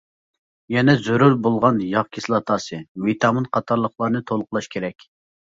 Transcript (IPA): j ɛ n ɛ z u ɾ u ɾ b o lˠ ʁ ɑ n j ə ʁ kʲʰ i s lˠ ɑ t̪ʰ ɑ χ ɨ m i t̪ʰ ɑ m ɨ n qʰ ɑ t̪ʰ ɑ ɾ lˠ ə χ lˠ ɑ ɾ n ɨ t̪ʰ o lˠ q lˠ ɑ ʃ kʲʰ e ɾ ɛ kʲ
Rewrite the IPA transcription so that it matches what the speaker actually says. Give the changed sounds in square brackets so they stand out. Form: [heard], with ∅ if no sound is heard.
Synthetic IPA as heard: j ɛ n ɛ z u ɾ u ɾ b o lˠ ʁ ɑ n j [ɑ] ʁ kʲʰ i s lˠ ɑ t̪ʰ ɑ [s] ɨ m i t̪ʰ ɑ m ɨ n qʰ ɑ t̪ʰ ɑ ɾ lˠ ə χ lˠ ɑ ɾ n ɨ t̪ʰ o lˠ q lˠ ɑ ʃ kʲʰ e ɾ ɛ kʲ